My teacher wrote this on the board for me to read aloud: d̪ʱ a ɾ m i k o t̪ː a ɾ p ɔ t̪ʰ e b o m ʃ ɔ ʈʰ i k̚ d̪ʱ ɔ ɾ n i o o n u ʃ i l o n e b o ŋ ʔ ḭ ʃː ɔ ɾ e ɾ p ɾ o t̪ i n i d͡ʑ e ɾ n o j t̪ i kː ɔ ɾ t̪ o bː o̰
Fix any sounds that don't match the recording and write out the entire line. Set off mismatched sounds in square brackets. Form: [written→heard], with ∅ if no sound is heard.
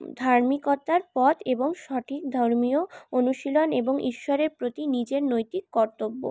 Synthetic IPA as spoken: d̪ʱ a ɾ m i k o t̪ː a ɾ p ɔ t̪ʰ e b o [m→ŋ] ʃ ɔ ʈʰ i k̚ d̪ʱ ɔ ɾ [n→m] i o o n u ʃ i l o n e b o ŋ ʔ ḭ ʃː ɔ ɾ e ɾ p ɾ o t̪ i n i d͡ʑ e ɾ n o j t̪ i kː ɔ ɾ t̪ o bː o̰